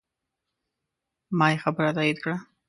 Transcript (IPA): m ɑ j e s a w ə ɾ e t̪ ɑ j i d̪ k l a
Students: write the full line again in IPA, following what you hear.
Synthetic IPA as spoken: m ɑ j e x a b ə ɾ a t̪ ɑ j i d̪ k ɽ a